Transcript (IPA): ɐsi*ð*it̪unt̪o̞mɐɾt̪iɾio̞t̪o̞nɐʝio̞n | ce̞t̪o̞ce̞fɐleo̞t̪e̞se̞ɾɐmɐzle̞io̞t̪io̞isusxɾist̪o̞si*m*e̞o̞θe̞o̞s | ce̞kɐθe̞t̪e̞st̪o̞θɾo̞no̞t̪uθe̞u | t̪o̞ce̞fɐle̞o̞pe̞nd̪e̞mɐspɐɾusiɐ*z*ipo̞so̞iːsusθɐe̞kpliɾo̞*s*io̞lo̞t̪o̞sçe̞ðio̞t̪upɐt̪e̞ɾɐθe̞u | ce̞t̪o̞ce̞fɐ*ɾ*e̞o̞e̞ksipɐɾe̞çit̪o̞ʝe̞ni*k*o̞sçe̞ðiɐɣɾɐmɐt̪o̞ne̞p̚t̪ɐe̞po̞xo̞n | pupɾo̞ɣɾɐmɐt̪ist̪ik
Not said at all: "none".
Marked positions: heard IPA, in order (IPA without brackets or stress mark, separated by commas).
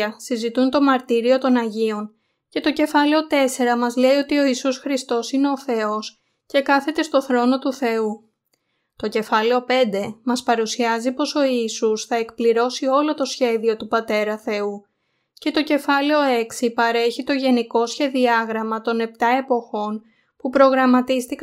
z, n, z, s, l, k